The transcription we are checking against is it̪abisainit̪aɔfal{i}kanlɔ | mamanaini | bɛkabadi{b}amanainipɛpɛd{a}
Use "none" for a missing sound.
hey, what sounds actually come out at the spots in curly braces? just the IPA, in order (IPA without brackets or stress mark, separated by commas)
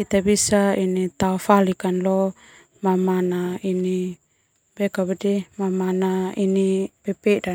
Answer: i, m, a